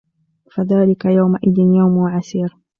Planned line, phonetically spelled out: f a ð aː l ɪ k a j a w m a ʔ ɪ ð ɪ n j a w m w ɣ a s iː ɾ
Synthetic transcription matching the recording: f a ð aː l ɪ k a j a w m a ʔ ɪ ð ɪ n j a w m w ʕ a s iː ɾ